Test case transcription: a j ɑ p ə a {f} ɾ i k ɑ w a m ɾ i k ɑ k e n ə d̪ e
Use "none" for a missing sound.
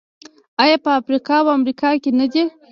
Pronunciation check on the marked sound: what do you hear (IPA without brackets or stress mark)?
f